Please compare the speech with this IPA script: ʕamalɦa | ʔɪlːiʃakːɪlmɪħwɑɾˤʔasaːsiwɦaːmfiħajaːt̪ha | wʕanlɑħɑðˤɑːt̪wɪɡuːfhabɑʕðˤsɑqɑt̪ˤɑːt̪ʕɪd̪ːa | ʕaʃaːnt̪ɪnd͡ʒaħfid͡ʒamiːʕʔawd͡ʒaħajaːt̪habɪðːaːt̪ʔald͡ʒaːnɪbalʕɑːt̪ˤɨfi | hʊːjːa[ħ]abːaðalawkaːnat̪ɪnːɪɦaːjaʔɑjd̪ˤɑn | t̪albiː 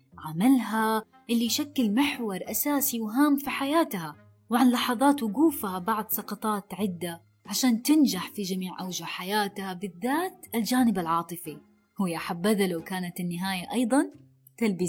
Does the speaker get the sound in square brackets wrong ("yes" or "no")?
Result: no